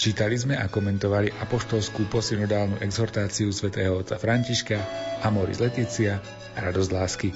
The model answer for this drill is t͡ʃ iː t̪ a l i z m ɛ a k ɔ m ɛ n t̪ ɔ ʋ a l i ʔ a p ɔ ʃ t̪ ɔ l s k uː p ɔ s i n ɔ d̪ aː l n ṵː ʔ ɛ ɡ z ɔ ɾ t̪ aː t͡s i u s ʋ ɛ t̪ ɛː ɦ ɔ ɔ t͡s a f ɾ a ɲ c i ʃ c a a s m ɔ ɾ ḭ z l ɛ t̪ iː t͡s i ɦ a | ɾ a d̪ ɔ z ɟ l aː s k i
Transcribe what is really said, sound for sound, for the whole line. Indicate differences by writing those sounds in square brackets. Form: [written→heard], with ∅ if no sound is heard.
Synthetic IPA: t͡ʃ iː t̪ a l i z m ɛ a k ɔ m ɛ n t̪ ɔ ʋ a l i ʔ a p ɔ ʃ t̪ ɔ l s k uː p ɔ s i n ɔ d̪ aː l n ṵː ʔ ɛ ɡ z ɔ ɾ t̪ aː t͡s i u s ʋ ɛ t̪ ɛː ɦ ɔ ɔ t͡s a f ɾ a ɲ c i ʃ [c→k] a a [s→∅] m ɔ ɾ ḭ z l ɛ t̪ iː t͡s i [ɦ→∅] a | ɾ a d̪ ɔ z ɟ l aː s k i